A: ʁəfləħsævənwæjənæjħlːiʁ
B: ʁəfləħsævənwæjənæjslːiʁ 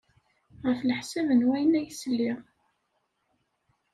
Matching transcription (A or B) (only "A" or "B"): B